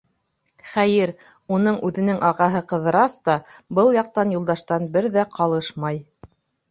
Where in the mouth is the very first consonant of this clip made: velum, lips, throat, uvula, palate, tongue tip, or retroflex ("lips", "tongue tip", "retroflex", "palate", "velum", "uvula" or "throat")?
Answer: uvula